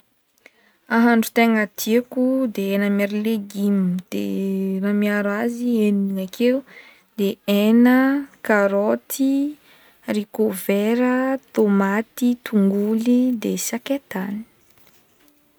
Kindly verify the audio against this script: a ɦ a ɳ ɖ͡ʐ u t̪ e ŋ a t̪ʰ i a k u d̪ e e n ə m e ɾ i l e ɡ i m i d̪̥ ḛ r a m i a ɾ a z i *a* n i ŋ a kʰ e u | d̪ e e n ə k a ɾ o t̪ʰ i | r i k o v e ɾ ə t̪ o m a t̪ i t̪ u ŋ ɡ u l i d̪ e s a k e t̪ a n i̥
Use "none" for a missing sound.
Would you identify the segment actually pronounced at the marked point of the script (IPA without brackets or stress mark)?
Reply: e